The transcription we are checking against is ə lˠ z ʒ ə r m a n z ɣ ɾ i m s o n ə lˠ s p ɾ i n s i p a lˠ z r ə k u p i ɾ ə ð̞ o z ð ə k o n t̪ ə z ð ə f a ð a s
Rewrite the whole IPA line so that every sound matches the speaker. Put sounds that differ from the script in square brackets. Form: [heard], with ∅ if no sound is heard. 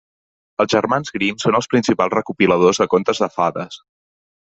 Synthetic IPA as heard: ə lˠ z ʒ ə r m a n z ɣ ɾ i m s o n ə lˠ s p ɾ i n s i p a lˠ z r ə k u p i [l] ə ð̞ o z ð ə k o n t̪ ə z ð ə f a ð [ə] s